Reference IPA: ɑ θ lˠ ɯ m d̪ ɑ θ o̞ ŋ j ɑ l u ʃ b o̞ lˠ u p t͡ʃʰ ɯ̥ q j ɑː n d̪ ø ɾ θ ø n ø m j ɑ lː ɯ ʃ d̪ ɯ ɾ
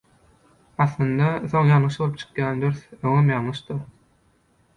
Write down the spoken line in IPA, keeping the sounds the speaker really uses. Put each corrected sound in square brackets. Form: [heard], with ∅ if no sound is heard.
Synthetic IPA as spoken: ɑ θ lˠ ɯ [n] d̪ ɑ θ o̞ ŋ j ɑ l [ɯ] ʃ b o̞ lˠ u p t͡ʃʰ ɯ̥ q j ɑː n d̪ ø ɾ θ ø [ŋ] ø m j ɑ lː ɯ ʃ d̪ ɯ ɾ